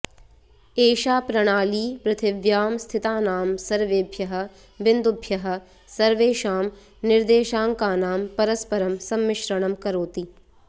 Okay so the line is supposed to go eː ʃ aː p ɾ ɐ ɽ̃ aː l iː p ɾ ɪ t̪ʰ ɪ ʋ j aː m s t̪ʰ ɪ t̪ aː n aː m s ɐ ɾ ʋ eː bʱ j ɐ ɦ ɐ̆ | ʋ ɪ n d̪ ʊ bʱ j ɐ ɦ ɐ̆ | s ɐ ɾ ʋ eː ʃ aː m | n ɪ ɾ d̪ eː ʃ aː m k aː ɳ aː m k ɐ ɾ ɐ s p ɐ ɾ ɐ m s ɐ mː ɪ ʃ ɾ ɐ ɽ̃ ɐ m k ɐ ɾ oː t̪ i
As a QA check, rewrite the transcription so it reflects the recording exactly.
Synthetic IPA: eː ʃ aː p ɾ ɐ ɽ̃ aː l iː p ɾ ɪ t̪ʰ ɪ ʋ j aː m s t̪ʰ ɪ t̪ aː n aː m s ɐ ɾ ʋ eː bʱ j ɐ ɦ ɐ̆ | ʋ ɪ n d̪ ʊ bʱ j ɐ ɦ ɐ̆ | s ɐ ɾ ʋ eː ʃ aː m | n ɪ ɾ d̪ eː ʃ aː ŋ k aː n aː m p ɐ ɾ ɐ s p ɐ ɾ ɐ m s ɐ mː ɪ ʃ ɾ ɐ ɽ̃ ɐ m k ɐ ɾ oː t̪ i

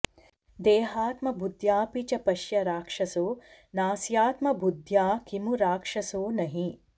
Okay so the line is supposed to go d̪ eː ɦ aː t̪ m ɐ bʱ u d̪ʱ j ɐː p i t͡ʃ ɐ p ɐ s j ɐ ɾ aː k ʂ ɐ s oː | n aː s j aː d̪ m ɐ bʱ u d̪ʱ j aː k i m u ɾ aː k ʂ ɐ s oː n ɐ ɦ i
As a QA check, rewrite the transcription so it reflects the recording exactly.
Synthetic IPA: d̪ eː ɦ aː t̪ m ɐ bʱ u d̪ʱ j aː p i t͡ʃ ɐ p ɐ ʃ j ɐ ɾ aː k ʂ ɐ s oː | n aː s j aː t̪ m ɐ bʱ u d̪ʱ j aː k i m u ɾ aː k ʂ ɐ s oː n ɐ ɦ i

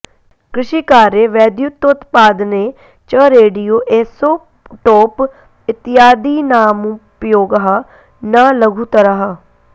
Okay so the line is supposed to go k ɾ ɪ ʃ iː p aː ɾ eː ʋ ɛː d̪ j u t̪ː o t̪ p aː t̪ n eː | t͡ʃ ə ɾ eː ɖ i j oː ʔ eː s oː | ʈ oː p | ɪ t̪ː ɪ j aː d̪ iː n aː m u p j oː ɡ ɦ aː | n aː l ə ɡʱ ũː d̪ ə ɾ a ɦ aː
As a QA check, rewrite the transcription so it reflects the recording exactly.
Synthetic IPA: k ɾ ɪ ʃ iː k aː ɾ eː ʋ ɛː d̪ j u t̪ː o t̪ p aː d̪ n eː | t͡ʃ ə ɾ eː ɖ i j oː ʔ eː s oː | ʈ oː p | ɪ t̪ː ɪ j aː d̪ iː n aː m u p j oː ɡ ɦ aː | n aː l ə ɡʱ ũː t̪ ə ɾ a ɦ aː

